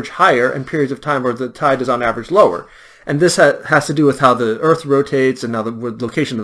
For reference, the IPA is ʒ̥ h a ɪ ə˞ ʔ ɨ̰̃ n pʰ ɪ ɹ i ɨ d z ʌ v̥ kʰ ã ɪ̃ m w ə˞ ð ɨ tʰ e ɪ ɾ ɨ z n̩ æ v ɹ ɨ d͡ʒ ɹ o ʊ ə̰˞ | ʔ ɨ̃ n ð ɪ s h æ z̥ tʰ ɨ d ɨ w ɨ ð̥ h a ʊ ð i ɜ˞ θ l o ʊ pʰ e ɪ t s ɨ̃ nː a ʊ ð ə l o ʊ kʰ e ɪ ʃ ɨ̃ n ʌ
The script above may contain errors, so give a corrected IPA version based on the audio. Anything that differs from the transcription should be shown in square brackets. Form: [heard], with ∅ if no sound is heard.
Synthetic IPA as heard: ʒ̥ h a ɪ ə˞ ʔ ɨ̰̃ n pʰ ɪ ɹ i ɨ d z ʌ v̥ [tʰ] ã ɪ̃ m w ə˞ ð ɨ tʰ [a] ɪ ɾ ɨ z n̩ æ v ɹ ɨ d͡ʒ [l] o ʊ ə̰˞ | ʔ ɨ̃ n ð ɪ s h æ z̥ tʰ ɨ d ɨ w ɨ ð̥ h a ʊ ð i ɜ˞ θ [ɹ] o ʊ [tʰ] e ɪ t s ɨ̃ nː a ʊ ð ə l o ʊ kʰ e ɪ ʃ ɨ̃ n ʌ